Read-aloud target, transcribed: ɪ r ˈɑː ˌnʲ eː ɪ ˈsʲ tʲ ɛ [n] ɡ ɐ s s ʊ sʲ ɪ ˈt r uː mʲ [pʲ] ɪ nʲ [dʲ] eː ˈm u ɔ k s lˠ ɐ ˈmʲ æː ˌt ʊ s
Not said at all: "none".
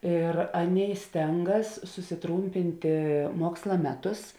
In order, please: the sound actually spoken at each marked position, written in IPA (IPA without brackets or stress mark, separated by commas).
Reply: ŋ, pʲ, tʲ